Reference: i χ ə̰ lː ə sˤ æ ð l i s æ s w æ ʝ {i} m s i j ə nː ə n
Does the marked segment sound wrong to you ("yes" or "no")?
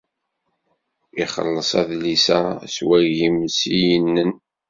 no